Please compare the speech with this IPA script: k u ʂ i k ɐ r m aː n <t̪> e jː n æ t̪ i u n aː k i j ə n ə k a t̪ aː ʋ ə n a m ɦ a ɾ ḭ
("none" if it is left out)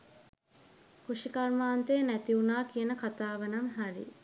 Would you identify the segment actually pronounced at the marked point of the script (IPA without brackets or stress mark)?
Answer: t̪